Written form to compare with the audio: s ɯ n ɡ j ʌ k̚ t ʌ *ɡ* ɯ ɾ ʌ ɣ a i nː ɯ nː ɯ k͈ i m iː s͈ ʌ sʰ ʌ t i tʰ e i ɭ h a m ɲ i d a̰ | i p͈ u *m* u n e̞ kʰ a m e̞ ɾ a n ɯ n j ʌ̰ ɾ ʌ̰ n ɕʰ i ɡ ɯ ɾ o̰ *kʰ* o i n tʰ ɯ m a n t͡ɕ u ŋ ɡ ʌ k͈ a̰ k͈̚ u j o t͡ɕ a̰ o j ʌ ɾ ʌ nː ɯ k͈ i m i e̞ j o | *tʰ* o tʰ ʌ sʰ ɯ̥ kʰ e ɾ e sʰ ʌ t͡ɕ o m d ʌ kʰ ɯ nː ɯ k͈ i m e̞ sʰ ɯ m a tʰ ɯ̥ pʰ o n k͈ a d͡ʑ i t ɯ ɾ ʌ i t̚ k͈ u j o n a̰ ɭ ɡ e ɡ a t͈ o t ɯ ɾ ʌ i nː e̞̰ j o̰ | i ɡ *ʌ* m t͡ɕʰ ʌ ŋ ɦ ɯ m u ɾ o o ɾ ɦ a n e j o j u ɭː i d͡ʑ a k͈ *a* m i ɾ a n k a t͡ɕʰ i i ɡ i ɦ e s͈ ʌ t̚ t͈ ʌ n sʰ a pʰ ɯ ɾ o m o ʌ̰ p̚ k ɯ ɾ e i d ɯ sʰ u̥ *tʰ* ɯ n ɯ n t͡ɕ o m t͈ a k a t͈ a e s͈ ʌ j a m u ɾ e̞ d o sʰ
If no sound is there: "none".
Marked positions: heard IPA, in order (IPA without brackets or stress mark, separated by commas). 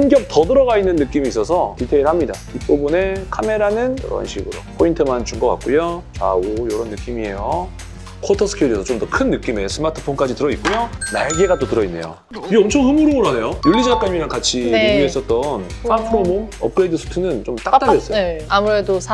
d, b, pʰ, kʰ, ʌ, a, tʰ